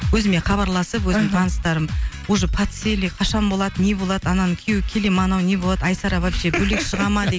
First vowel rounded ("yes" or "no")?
yes